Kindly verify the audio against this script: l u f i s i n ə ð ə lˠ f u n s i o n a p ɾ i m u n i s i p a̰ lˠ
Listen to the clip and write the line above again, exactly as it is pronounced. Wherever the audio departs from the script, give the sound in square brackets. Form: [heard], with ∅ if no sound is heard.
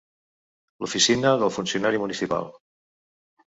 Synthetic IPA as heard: l u f i s i n ə ð ə lˠ f u n s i [u] n a [∅] ɾ i m u n i s i p a̰ lˠ